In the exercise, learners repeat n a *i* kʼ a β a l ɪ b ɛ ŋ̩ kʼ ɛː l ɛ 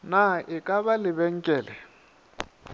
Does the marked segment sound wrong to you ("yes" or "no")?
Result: yes